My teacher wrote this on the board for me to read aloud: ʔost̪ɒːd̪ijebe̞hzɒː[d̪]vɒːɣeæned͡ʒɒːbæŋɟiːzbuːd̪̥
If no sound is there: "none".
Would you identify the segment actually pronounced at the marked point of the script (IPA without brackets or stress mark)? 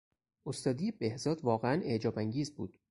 d̪